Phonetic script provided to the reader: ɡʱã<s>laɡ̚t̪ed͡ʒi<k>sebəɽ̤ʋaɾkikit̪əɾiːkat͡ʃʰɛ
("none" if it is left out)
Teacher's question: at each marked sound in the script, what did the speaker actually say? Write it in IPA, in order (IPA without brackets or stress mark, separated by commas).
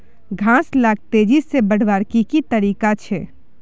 s, none